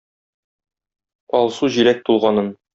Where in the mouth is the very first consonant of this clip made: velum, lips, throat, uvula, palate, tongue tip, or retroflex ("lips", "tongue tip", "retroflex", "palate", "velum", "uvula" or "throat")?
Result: tongue tip